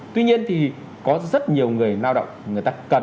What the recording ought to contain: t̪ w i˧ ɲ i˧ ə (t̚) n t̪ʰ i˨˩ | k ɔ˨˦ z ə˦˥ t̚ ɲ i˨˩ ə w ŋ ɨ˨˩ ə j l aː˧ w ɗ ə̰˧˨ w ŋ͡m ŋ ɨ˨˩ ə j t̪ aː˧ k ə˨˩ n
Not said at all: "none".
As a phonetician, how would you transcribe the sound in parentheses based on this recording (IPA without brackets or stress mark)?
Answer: none